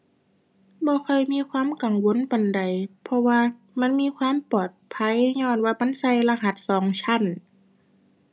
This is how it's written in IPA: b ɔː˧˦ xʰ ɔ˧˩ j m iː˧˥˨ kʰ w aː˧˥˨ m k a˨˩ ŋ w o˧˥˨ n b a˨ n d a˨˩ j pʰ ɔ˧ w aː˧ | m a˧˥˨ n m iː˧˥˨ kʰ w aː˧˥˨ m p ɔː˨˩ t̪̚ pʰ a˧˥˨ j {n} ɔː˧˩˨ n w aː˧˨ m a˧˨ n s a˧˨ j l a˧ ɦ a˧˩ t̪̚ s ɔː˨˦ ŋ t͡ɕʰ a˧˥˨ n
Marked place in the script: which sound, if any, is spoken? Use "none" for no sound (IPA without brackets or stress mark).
ɲ